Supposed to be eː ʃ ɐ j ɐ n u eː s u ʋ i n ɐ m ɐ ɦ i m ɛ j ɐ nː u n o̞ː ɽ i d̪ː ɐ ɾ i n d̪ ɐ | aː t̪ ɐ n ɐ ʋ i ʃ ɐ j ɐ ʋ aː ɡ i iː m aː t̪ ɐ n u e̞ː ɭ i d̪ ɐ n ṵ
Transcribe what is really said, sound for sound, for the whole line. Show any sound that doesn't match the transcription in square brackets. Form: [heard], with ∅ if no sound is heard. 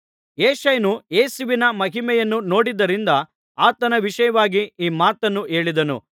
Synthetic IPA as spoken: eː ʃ ɐ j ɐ n u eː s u ʋ i n ɐ m ɐ ɦ i m ɛ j ɐ nː u n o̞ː ɽ i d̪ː ɐ ɾ i n d̪ ɐ | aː t̪ ɐ n ɐ ʋ i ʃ ɐ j ɐ ʋ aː ɡ i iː m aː t̪ ɐ [nː] u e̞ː ɭ i d̪ ɐ n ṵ